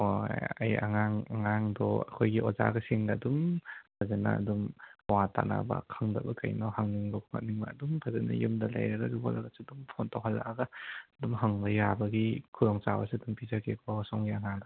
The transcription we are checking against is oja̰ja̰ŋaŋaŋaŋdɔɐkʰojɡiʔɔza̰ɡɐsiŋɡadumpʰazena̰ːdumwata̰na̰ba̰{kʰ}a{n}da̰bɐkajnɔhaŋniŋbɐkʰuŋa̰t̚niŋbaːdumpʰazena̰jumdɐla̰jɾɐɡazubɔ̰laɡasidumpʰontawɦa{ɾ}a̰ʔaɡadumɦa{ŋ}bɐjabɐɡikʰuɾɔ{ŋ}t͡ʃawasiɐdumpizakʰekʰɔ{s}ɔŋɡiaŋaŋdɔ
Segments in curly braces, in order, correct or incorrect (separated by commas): correct, incorrect, incorrect, correct, correct, correct